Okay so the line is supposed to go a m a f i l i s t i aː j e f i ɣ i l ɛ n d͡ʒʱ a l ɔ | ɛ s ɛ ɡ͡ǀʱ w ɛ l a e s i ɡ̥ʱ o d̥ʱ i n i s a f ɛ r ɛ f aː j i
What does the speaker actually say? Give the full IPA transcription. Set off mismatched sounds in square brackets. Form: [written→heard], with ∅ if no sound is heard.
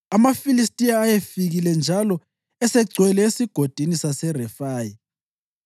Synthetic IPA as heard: a m a f i l i s [t→tʼ] i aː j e f i ɣ i l ɛ n d͡ʒʱ a l ɔ | ɛ s ɛ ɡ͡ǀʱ w ɛ l [a→ɛ] e s i ɡ̥ʱ o d̥ʱ i n i s a [f→s] ɛ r ɛ f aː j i